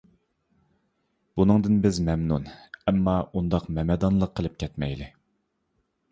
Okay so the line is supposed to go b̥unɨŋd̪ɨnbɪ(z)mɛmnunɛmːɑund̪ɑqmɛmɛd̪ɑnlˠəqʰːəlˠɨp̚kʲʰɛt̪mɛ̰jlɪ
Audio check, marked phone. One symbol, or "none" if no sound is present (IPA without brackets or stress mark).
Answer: z